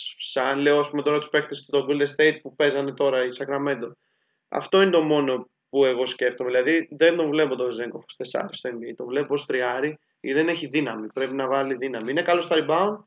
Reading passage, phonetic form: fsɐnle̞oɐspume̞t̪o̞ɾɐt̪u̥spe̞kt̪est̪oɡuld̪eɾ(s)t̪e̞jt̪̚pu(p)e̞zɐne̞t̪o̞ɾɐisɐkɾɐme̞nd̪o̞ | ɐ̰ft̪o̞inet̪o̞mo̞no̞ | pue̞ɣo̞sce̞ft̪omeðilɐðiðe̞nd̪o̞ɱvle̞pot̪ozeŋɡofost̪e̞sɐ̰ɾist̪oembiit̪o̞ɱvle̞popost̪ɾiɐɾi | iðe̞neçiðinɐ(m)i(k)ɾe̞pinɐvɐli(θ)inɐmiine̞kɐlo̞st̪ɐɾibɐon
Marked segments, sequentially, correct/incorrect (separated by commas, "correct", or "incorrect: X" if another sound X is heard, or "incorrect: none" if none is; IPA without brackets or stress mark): correct, correct, correct, incorrect: p, incorrect: ð